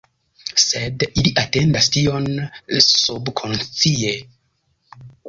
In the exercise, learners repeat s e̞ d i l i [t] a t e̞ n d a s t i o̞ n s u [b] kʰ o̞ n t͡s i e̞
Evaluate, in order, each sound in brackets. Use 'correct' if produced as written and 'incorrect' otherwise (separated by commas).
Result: incorrect, correct